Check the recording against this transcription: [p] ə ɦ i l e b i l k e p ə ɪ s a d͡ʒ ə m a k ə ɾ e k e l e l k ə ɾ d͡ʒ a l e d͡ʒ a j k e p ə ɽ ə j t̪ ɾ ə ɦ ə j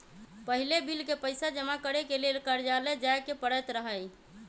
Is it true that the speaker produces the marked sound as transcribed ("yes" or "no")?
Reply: yes